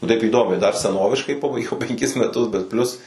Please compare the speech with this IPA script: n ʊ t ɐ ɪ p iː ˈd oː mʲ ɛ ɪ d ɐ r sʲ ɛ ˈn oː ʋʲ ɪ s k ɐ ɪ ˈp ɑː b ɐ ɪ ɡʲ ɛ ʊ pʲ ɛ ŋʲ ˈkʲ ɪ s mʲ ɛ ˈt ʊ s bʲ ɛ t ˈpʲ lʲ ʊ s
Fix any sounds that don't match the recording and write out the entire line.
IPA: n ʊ t ɐ ɪ p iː ˈd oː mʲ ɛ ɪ d ɐ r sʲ ɛ ˈn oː ʋʲ ɪ ʃ k ɐ ɪ ˈp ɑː b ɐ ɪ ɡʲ ɛ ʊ pʲ ɛ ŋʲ ˈkʲ ɪ s mʲ ɛ ˈt ʊ s bʲ ɛ t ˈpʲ lʲ ʊ s